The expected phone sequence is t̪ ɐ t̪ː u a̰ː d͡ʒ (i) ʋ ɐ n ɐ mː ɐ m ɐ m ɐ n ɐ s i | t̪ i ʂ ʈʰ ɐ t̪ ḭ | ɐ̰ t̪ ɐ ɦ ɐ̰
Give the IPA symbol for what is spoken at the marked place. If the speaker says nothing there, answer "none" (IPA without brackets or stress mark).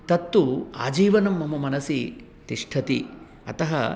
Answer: iː